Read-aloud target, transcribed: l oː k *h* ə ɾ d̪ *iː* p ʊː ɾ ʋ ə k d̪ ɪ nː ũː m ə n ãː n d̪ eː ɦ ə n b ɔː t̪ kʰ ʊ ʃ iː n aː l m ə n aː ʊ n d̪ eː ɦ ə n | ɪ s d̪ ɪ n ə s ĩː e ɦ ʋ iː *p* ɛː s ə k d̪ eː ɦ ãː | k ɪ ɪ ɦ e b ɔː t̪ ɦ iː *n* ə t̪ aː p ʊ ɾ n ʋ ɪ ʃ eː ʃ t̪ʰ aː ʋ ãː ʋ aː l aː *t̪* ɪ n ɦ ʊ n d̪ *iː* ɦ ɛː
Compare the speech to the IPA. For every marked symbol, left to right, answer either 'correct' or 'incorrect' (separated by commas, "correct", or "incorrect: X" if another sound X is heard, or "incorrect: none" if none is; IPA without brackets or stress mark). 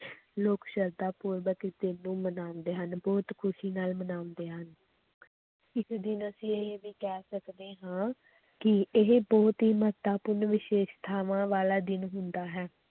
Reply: incorrect: ʃ, incorrect: aː, incorrect: k, incorrect: m, incorrect: d̪, incorrect: aː